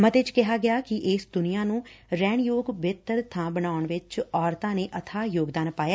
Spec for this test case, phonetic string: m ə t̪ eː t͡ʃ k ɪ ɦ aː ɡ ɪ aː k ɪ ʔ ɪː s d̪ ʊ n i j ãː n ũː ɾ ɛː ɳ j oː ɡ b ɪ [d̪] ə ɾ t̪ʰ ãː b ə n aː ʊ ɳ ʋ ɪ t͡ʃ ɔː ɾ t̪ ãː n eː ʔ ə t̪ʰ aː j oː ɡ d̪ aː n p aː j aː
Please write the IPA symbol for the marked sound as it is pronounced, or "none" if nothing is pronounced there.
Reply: t̪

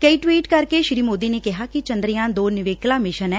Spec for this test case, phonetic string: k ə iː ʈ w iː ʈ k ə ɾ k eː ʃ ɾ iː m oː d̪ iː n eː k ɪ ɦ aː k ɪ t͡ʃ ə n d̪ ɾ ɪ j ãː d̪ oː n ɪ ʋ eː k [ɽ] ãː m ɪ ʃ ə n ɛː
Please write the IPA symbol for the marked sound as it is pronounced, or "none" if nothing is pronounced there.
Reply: l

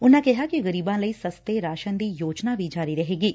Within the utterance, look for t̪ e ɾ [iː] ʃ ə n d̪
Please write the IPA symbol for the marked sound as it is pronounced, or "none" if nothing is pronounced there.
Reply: aː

